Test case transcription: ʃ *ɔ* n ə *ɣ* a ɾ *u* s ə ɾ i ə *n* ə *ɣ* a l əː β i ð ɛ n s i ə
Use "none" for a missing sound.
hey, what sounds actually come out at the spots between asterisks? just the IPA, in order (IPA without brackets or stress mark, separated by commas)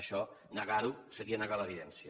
ɔ, ɣ, u, n, ɣ